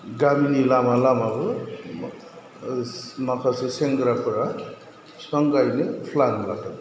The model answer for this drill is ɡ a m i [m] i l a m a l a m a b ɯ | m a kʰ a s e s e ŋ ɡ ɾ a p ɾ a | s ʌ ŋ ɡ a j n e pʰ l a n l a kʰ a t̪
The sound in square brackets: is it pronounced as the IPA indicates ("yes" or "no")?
no